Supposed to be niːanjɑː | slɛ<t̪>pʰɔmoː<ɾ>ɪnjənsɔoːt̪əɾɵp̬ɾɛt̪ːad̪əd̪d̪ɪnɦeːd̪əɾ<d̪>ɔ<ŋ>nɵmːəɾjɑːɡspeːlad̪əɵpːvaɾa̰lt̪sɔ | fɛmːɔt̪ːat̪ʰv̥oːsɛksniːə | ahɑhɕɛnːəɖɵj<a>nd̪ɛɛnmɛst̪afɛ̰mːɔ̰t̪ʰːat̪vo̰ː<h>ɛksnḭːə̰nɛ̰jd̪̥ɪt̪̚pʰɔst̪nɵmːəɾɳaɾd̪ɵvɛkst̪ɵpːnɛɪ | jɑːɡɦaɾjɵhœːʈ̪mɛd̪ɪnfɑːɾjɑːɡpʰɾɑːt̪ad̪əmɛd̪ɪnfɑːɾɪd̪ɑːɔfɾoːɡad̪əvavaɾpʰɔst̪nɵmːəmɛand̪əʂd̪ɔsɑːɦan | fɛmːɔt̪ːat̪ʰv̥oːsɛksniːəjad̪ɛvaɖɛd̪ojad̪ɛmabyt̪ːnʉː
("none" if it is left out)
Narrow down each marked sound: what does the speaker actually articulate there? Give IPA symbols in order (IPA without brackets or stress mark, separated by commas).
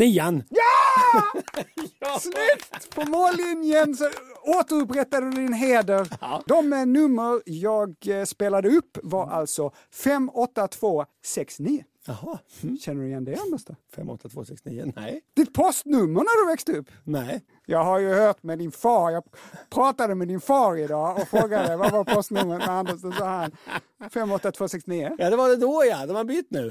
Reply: t̪, l, d̪, m, ɛ, s